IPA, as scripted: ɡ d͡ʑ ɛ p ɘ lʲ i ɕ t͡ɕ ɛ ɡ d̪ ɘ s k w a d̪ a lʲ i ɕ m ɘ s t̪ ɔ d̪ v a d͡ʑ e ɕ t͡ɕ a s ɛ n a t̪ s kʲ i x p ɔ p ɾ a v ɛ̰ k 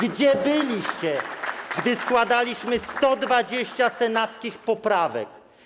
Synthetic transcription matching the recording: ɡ d͡ʑ ɛ b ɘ lʲ i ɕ t͡ɕ ɛ ɡ d̪ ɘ s k w a d̪ a lʲ i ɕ m ɘ s t̪ ɔ d̪ v a d͡ʑ e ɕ t͡ɕ a s ɛ n a t̪ s kʲ i x p ɔ p ɾ a v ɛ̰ k

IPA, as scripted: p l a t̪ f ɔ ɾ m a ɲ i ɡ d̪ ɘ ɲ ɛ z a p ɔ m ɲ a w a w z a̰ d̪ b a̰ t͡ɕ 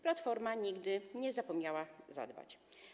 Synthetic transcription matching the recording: p l a t̪ f ɔ ɾ m a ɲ i ɡ d̪ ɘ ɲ ɛ z a p ɔ m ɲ a w a z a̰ d̪ b a̰ t͡ɕ

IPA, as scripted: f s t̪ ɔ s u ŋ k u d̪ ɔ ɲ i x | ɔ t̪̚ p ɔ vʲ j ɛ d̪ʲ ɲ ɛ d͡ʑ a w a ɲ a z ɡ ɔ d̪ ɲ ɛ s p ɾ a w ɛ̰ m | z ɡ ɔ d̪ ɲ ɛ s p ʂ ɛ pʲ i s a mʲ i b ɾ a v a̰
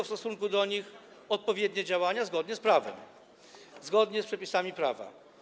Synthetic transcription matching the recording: f s t̪ ɔ s u ŋ k u d̪ ɔ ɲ i x | ɔ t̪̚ p ɔ vʲ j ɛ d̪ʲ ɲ ɛ d͡ʑ a w a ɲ a z ɡ ɔ d̪ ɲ ɛ s p ɾ a v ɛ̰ m | z ɡ ɔ d̪ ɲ ɛ s p ʂ ɛ pʲ i s a mʲ i p ɾ a v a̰

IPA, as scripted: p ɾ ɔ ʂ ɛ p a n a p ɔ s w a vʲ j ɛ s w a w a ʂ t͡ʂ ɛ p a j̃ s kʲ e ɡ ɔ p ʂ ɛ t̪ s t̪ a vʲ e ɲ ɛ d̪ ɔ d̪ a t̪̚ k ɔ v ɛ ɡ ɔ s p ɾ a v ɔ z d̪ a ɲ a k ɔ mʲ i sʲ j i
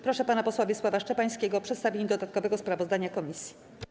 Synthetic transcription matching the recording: p ɾ ɔ ʂ ɛ p a n a p ɔ s w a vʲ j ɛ s w a v a ʂ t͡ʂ ɛ p a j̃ s kʲ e ɡ ɔ p ʂ ɛ t̪ s t̪ a vʲ e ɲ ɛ d̪ ɔ d̪ a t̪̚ k ɔ v ɛ ɡ ɔ s p ɾ a v ɔ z d̪ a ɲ a k ɔ mʲ i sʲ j i

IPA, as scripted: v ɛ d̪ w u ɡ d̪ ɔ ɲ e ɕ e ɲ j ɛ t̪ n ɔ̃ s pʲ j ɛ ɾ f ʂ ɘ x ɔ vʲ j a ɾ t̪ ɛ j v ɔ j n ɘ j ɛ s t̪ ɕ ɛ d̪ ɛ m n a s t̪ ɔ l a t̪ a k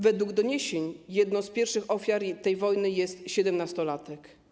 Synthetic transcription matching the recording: v ɛ d̪ w u ɡ d̪ ɔ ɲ e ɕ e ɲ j ɛ d̪ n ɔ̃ s pʲ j ɛ ɾ f ʂ ɘ x ɔ fʲ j a ɾ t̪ ɛ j v ɔ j n ɘ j ɛ s t̪ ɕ ɛ d̪ ɛ m n a s t̪ ɔ l a t̪ ɛ k

